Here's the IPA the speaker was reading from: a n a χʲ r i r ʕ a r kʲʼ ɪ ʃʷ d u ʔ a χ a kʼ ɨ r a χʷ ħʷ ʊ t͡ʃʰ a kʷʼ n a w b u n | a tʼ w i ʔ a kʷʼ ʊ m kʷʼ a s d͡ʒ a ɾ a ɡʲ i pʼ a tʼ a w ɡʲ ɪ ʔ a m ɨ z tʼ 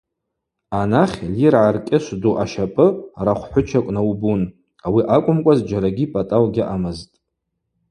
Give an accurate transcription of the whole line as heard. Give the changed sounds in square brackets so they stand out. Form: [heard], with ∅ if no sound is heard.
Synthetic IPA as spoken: a n a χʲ [l] i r ʕ a r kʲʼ ɪ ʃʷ d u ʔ a [ʃ] a [pʼ] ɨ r a χʷ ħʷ ʊ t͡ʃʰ a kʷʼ n a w b u n | a [∅] w i ʔ a kʷʼ ʊ m kʷʼ a [z] d͡ʒ a ɾ a ɡʲ i pʼ a tʼ a w ɡʲ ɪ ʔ a m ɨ z tʼ